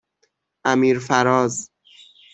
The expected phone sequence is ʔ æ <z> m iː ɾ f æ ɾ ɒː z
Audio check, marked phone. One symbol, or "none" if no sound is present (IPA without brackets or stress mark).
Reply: none